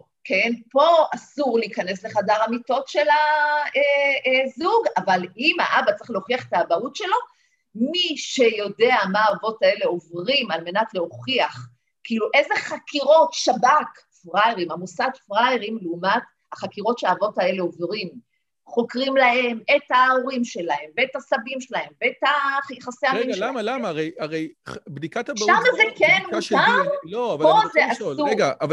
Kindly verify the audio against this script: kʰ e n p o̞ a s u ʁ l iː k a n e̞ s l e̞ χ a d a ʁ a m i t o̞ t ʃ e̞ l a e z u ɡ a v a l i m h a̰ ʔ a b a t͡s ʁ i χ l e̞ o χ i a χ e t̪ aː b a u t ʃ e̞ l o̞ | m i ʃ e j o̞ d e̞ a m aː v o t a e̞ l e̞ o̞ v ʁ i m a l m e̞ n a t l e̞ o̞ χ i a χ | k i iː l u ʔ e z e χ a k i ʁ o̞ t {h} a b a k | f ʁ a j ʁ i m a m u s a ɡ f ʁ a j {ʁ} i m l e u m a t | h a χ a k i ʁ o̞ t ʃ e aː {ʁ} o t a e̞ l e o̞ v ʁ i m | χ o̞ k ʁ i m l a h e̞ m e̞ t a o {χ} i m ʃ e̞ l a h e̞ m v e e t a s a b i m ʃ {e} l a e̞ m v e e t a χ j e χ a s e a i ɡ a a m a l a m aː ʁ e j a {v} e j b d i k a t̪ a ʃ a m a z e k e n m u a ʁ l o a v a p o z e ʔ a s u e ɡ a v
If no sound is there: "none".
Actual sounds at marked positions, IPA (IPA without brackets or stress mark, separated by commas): ʃ, ʁ, v, ʁ, e, ʁ